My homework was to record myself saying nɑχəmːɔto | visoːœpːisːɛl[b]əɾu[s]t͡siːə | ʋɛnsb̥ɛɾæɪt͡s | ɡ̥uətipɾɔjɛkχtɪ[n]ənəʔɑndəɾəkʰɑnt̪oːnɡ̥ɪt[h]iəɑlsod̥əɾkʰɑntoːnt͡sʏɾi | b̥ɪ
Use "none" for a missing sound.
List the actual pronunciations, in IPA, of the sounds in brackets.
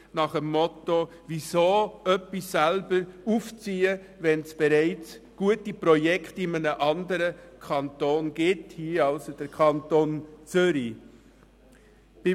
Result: b, f, m, h

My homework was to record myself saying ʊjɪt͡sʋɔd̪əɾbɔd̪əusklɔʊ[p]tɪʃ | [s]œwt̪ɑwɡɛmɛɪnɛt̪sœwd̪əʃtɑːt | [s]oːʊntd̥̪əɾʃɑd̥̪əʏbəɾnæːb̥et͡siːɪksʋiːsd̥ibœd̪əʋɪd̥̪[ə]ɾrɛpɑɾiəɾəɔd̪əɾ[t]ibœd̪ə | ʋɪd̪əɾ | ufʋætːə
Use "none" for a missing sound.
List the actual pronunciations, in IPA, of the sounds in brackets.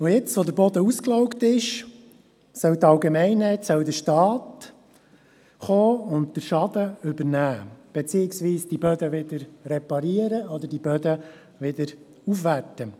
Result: k, s, χ, ə, d

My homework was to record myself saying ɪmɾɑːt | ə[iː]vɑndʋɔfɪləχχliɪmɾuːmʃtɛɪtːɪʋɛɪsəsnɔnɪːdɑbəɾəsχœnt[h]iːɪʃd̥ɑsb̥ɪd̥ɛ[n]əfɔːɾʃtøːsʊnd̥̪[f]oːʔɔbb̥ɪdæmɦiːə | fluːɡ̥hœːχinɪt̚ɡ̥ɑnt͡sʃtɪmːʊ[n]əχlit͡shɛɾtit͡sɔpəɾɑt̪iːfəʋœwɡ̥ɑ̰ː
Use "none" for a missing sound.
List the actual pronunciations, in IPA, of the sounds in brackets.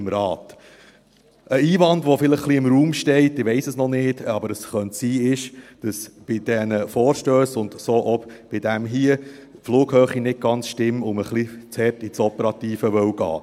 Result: iː, s, n, s, m

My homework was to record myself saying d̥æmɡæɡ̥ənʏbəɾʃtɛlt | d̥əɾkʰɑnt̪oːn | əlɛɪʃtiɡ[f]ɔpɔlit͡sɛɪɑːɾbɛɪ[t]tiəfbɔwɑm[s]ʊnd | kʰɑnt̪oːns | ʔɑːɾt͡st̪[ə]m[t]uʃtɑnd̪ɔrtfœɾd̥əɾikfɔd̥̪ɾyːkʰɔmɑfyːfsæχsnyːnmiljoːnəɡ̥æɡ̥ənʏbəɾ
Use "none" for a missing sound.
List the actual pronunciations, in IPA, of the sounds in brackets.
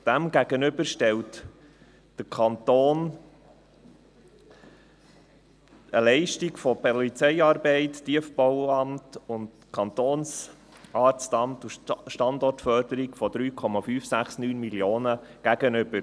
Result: f, t, t, ɑ, t

